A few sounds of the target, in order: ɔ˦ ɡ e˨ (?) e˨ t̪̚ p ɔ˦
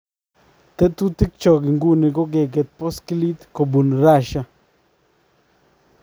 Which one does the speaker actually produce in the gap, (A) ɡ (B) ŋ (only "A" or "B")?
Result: A